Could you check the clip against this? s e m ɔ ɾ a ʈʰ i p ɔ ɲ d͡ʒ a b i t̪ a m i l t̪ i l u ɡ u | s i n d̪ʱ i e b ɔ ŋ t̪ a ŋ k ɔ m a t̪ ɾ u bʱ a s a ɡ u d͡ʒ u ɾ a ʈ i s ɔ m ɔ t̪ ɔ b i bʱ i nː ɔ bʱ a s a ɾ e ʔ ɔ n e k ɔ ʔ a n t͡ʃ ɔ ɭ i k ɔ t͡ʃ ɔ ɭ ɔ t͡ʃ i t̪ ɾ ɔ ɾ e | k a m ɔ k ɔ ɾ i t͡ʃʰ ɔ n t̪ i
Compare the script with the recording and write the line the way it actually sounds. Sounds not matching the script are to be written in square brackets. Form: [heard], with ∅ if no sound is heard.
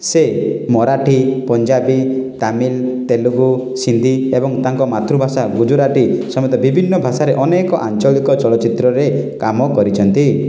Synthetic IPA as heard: s e m ɔ ɾ a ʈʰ i p ɔ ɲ d͡ʒ a b i t̪ a m i l t̪ [e] l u ɡ u | s i n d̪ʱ i e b ɔ ŋ t̪ a ŋ k ɔ m a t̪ ɾ u bʱ a s a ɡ u d͡ʒ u ɾ a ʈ i s ɔ m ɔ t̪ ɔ b i bʱ i nː ɔ bʱ a s a ɾ e ʔ ɔ n e k ɔ ʔ a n t͡ʃ ɔ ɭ i k ɔ t͡ʃ ɔ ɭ ɔ t͡ʃ i t̪ ɾ ɔ ɾ e | k a m ɔ k ɔ ɾ i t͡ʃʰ ɔ n t̪ i